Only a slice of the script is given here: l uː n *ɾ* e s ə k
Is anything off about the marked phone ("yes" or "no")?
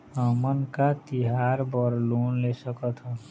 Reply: yes